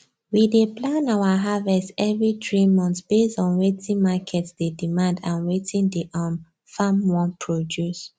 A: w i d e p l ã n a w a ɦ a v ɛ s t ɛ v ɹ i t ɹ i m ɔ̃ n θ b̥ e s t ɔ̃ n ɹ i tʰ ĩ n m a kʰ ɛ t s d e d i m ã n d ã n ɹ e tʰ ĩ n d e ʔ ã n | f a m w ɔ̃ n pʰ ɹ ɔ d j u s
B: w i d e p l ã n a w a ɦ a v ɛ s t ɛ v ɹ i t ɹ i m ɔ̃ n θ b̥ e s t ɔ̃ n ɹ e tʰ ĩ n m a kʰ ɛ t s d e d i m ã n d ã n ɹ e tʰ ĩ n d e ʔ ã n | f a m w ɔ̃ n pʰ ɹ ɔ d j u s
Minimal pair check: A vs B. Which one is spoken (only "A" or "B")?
B